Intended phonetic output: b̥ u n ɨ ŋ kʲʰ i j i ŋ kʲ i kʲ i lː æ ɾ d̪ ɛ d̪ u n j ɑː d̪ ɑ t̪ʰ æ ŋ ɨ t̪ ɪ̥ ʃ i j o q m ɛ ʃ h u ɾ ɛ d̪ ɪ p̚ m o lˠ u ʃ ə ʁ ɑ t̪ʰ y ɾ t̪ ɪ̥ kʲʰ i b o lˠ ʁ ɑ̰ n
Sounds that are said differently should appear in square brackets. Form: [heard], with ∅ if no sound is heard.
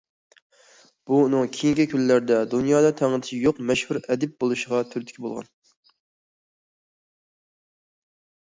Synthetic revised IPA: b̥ u n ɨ ŋ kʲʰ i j i ŋ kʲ i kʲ [y] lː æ ɾ d̪ ɛ d̪ u n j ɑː d̪ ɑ t̪ʰ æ ŋ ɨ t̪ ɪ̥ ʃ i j o q m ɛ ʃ h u ɾ ɛ d̪ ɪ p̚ [b] o lˠ u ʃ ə ʁ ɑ t̪ʰ y ɾ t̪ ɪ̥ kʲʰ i b o lˠ ʁ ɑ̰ n